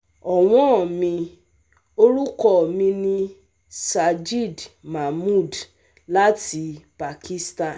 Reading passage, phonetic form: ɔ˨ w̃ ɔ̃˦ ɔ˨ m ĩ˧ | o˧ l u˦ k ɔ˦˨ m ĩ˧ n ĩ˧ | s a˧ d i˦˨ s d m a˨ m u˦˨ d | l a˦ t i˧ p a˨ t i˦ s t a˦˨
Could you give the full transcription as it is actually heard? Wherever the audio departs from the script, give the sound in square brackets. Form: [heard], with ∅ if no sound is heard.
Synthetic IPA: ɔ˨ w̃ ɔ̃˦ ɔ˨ m ĩ˧ | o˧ [ɾ] u˦ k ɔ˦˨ m ĩ˧ n ĩ˧ | s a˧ [d͡ʒ] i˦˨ [∅] d m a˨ m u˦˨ d | l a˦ t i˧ p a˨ [k] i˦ s t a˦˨